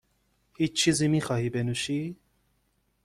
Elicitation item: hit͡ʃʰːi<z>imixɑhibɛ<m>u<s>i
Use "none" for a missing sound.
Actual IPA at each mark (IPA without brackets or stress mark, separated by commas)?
z, n, ʃ